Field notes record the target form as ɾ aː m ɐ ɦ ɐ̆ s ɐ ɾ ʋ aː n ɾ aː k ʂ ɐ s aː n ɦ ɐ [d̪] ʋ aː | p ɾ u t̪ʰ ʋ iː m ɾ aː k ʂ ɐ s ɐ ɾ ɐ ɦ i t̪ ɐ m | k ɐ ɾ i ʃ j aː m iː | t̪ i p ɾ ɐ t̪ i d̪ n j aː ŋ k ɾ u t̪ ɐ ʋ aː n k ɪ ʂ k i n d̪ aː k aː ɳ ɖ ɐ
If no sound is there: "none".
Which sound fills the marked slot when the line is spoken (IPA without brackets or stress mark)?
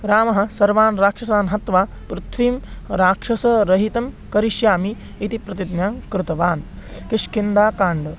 t̪